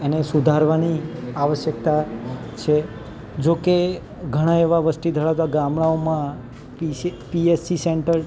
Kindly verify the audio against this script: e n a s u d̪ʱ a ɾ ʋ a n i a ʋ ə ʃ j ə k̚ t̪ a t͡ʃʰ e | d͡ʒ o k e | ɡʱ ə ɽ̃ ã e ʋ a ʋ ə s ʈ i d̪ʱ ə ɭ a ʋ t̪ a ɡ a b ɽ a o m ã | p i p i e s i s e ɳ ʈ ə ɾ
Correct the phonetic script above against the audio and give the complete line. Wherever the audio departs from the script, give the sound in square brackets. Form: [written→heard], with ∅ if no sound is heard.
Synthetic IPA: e n [a→e] s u d̪ʱ a ɾ ʋ a n i a ʋ ə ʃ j ə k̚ t̪ a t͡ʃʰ e | d͡ʒ o k e | ɡʱ ə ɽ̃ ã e ʋ a ʋ ə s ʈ i d̪ʱ ə ɭ a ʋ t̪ a ɡ a [b→m] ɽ a o m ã | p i p i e s i s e ɳ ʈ ə ɾ